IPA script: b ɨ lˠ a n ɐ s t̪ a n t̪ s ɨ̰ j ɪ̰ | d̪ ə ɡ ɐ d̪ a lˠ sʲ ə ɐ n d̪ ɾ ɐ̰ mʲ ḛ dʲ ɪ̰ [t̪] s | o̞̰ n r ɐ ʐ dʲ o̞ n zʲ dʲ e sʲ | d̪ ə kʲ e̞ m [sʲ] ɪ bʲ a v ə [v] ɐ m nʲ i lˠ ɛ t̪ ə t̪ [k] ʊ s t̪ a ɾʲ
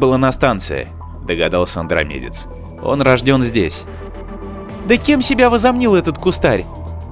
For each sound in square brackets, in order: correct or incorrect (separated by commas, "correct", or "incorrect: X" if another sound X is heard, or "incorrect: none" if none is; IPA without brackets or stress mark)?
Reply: correct, correct, incorrect: z, correct